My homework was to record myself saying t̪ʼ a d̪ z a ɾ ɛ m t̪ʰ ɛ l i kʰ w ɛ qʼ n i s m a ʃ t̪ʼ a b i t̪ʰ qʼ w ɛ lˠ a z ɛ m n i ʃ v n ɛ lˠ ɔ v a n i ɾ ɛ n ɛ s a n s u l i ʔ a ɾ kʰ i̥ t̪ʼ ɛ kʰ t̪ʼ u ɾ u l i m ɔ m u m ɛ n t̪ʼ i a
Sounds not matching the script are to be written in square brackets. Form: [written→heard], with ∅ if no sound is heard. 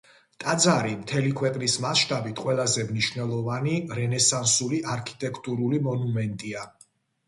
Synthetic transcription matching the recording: t̪ʼ a d̪ z a ɾ [ɛ→i] m t̪ʰ ɛ l i kʰ w ɛ qʼ n i s m a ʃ t̪ʼ a b i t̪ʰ qʼ w ɛ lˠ a z ɛ m n i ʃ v n ɛ lˠ ɔ v a n i ɾ ɛ n ɛ s a n s u l i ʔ a ɾ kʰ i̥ t̪ʼ ɛ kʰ t̪ʼ u ɾ u l i m ɔ [m→n] u m ɛ n t̪ʼ i a